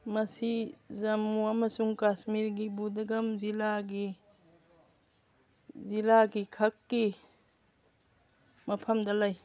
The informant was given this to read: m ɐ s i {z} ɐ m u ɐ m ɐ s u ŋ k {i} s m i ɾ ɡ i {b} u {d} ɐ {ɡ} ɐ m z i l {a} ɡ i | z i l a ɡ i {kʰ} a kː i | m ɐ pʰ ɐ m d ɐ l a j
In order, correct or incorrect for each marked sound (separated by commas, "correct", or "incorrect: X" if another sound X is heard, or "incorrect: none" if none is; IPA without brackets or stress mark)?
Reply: correct, incorrect: a, correct, correct, correct, correct, correct